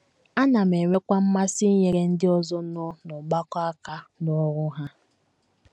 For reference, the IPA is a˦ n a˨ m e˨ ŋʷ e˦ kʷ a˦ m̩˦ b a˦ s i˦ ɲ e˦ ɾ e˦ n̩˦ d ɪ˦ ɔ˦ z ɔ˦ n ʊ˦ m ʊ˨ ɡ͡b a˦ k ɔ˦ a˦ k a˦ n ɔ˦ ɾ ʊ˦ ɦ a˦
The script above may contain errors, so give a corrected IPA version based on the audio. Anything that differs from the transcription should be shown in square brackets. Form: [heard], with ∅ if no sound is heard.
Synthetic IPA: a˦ n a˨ m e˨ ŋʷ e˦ kʷ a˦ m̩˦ [m] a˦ s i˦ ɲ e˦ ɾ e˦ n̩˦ d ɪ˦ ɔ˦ z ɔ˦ n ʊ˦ [n] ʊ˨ ɡ͡b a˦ k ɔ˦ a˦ k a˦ n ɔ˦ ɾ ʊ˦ ɦ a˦

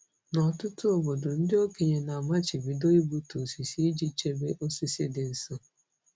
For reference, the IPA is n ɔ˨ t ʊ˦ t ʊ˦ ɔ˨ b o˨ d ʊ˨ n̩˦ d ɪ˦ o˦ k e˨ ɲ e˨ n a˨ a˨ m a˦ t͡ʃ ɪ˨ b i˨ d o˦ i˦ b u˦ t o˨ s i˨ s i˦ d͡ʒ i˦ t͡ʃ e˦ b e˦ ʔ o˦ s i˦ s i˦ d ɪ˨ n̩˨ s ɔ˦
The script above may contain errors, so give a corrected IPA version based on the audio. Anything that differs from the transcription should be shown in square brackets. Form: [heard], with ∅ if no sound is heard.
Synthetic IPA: n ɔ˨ t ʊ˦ t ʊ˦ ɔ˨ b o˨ d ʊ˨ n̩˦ d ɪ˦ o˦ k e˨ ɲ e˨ n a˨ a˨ m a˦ t͡ʃ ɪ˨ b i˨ d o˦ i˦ b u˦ t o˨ s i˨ s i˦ d͡ʒ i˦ t͡ʃ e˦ b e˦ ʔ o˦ s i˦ s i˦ d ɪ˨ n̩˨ s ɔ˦

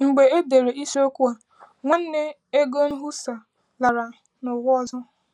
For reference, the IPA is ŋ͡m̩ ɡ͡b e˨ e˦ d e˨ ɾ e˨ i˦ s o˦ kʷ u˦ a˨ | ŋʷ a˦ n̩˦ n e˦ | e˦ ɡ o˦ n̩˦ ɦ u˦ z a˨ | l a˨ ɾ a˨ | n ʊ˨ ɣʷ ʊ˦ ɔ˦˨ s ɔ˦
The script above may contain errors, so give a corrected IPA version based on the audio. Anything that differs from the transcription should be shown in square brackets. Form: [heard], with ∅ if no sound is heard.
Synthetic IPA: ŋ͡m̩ ɡ͡b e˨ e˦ d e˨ ɾ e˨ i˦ s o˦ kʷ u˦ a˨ | ŋʷ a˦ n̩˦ n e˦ | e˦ ɡ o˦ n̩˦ ɦ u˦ [s] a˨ | l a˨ ɾ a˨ | n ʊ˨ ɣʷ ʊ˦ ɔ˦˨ [z] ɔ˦

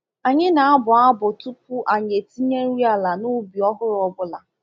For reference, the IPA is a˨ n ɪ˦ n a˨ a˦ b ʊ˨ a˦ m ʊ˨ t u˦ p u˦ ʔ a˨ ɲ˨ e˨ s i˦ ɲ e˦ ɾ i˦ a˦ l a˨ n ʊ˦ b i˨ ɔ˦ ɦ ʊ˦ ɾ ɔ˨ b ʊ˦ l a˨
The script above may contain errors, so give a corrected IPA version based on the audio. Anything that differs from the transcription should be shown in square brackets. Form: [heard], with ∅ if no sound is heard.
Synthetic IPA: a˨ [ɲ] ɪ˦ n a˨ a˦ b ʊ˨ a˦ [b] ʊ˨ t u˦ p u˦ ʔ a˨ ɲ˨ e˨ [t] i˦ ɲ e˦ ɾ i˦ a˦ l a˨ n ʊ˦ b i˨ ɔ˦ ɦ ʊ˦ ɾ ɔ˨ b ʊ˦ l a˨

